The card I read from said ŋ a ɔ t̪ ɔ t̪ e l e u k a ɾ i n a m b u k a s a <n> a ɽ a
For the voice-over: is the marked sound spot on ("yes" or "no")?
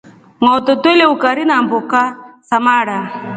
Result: no